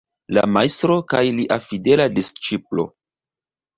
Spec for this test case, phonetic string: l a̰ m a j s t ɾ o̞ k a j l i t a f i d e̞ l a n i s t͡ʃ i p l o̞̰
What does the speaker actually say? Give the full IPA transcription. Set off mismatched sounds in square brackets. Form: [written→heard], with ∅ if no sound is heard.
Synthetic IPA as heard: l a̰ m a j s t ɾ o̞ k a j l i [t→ʔ] a f i d e̞ l a [n→d] i s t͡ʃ i p l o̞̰